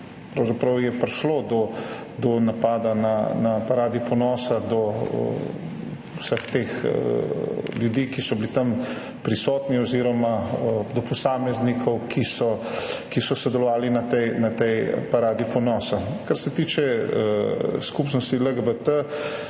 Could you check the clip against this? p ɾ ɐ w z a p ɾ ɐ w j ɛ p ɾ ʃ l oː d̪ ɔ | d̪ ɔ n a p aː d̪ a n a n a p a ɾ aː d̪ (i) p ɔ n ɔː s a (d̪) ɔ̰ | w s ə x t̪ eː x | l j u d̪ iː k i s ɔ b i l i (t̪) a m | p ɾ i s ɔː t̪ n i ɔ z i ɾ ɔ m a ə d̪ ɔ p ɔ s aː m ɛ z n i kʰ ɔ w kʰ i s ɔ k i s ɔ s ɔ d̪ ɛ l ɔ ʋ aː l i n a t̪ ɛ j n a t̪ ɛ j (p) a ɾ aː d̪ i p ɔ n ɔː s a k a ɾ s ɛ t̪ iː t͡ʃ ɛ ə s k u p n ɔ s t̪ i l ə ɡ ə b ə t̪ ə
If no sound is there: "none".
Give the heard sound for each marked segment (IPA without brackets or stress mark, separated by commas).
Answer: i, d̪, t̪, p